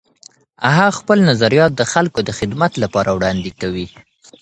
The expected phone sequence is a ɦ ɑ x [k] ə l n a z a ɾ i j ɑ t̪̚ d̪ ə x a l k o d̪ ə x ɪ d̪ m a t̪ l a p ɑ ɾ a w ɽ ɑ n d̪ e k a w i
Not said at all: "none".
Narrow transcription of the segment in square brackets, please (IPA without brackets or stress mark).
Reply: p